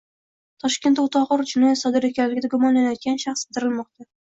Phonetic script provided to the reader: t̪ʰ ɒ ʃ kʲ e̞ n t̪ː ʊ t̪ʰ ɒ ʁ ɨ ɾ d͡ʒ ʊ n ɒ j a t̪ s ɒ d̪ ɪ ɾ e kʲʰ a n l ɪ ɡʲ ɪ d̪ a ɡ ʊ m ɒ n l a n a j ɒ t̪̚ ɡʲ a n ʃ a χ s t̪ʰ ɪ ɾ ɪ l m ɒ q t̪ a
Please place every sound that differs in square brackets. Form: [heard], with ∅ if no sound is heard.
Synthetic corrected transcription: t̪ʰ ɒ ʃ kʲ e̞ n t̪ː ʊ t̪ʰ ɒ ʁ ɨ ɾ d͡ʒ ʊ n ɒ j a t̪ s ɒ d̪ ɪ ɾ e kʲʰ a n l ɪ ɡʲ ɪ d̪ a ɡ ʊ m ɒ n l a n a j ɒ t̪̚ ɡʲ a n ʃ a χ s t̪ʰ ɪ ɾ ɪ l m ɒ q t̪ a